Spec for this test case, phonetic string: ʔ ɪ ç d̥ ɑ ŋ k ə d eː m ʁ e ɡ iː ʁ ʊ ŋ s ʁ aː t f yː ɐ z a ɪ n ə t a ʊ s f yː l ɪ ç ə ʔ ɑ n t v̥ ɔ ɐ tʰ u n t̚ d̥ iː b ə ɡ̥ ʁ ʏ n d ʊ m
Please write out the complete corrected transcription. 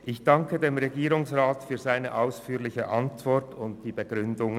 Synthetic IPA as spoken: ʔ ɪ ç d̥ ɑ ŋ k ə d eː m ʁ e ɡ iː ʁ ʊ ŋ s ʁ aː t f yː ɐ z a ɪ n ə ʔ a ʊ s f yː l ɪ ç ə ʔ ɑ n t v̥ ɔ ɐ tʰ ʊ n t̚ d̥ iː b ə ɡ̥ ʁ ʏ n d ʊ ŋ